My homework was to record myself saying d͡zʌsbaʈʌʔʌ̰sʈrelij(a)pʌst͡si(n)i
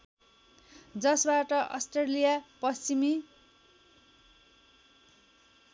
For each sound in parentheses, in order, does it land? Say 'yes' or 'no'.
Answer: yes, no

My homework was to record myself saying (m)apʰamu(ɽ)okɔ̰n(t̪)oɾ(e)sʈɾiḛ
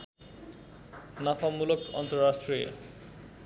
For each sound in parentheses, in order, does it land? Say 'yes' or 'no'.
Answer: no, no, yes, no

